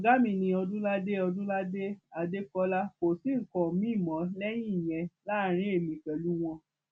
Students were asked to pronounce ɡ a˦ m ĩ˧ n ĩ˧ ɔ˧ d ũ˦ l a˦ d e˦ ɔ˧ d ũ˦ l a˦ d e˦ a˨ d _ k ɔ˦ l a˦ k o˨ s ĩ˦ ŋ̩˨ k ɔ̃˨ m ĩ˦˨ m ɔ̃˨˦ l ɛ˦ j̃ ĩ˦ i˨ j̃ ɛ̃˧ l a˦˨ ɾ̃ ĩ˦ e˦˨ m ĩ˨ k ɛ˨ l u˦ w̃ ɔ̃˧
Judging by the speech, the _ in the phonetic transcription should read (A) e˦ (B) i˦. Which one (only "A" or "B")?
A